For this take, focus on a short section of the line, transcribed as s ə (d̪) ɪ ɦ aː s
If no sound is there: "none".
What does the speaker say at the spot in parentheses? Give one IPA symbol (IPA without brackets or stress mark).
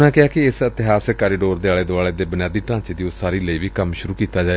t̪